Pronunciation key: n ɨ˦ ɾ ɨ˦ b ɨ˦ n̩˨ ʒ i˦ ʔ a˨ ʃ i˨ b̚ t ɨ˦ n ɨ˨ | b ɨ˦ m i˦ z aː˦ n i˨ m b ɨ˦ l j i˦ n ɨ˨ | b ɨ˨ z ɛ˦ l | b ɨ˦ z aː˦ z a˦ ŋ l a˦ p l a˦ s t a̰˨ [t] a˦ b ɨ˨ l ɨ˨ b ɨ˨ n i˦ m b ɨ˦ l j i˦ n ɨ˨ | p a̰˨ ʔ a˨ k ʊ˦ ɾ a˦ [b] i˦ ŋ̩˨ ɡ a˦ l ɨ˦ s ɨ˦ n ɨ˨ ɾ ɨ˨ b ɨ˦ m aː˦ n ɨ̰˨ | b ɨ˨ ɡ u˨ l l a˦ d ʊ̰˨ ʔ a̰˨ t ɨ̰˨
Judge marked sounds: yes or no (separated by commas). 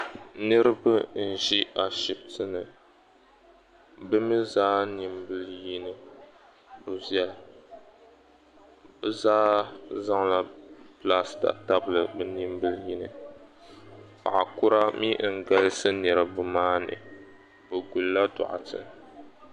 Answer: yes, no